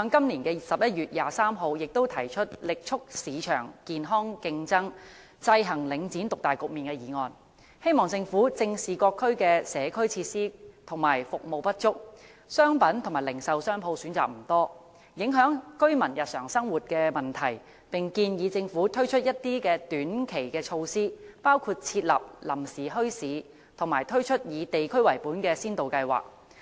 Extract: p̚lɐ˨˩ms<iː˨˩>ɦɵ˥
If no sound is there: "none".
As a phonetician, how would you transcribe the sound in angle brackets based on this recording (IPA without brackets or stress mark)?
iː˨˩